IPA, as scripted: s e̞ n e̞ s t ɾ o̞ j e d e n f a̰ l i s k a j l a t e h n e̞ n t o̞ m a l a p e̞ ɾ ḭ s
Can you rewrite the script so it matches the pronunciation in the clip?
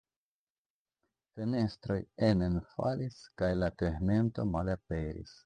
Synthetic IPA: f e̞ n e̞ s t ɾ o̞ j e n e n f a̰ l i s k a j l a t e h n e̞ n t o̞ m a l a p e̞ ɾ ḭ s

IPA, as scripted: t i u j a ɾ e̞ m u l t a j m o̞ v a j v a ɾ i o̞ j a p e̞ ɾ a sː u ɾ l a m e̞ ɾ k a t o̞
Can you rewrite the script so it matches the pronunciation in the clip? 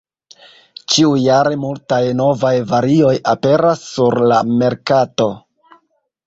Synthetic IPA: t͡ʃ i u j a ɾ e̞ m u l t a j n o̞ v a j v a ɾ i o̞ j a p e̞ ɾ a sː u ɾ l a m e̞ ɾ k a t o̞

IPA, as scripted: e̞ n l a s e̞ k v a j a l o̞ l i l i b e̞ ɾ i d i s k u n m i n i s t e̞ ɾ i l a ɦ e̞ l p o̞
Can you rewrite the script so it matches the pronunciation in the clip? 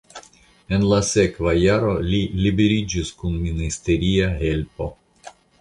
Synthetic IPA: e̞ n l a s e̞ k v a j a ɾ o̞ l i l i b e̞ ɾ i d͡ʒ i s k u n m i n i s t e̞ ɾ i a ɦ e̞ l p o̞

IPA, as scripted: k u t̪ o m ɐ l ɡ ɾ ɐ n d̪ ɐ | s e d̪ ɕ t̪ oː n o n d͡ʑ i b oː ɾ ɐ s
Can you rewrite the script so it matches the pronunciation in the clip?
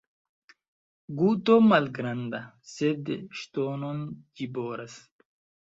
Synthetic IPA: ɡ u t̪ o m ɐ l ɡ ɾ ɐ n d̪ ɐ | s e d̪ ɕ t̪ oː n o n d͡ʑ i b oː ɾ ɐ s

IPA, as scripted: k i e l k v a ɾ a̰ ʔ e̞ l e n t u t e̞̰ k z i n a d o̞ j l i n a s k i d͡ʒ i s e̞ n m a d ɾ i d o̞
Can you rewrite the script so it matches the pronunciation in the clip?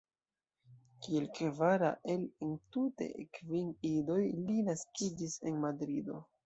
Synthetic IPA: k i e l k v a ɾ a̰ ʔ e̞ l e n t u t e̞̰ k v i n i d o̞ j l i n a s k i d͡ʒ i s e̞ n m a d ɾ i d o̞

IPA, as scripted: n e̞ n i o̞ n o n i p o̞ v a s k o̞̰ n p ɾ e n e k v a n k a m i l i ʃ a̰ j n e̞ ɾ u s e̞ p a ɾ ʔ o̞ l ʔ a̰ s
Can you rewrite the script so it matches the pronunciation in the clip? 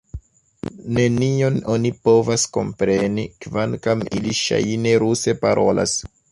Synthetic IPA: n e̞ n i o̞ n o n i p o̞ v a s k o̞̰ m p ɾ e n i k v a n k a m i l i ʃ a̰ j n e̞ ɾ u s e̞ p a ɾ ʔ o̞ l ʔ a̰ s

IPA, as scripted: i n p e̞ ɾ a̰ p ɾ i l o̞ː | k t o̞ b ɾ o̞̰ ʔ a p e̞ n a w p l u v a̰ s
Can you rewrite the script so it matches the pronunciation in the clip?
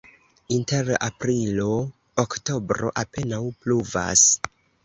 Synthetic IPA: i n t e̞ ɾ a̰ p ɾ i l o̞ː | k t o̞ b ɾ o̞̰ ʔ a p e̞ n a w p l u v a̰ s

